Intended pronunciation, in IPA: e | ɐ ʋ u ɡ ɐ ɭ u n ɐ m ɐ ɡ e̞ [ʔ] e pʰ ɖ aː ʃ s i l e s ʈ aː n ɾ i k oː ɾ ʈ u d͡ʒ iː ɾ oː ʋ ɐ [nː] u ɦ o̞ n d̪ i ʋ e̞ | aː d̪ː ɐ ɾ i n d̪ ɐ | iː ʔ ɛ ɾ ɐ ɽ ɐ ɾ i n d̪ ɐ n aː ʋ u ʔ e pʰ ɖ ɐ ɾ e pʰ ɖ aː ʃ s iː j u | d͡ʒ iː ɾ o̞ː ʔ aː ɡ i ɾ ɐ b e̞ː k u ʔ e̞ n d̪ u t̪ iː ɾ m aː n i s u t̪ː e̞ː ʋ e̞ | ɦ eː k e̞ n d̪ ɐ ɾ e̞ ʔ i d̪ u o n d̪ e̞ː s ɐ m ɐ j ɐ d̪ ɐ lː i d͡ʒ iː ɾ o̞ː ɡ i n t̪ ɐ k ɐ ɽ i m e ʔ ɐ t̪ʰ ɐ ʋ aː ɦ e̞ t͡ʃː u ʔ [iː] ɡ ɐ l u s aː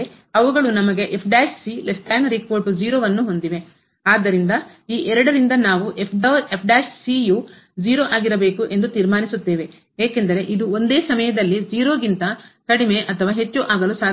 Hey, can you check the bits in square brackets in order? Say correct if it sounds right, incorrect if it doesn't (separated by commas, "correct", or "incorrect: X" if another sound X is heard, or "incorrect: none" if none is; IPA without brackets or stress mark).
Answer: correct, correct, incorrect: aː